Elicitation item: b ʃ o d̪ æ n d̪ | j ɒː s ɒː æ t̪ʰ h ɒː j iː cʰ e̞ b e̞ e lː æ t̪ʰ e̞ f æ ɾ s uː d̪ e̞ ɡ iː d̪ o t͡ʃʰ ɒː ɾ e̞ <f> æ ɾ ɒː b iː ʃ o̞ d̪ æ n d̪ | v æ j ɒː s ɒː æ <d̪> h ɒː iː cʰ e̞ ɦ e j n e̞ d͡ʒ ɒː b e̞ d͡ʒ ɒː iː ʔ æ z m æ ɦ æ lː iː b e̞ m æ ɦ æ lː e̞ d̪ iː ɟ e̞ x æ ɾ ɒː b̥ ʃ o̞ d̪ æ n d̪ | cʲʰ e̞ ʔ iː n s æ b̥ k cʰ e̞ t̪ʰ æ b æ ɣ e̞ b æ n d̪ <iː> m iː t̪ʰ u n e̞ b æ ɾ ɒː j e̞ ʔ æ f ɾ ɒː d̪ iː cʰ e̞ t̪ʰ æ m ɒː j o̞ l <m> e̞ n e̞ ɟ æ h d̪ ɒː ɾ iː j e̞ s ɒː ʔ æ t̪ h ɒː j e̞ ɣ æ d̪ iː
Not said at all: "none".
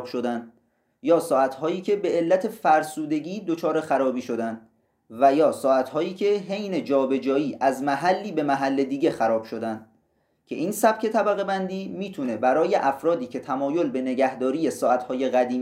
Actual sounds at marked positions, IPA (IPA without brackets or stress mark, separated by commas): x, t̪, iː, b